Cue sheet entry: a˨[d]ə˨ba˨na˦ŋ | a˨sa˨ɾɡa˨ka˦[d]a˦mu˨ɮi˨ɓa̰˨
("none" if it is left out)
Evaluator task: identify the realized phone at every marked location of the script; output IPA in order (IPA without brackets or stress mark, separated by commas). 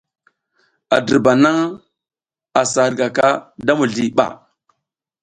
d, d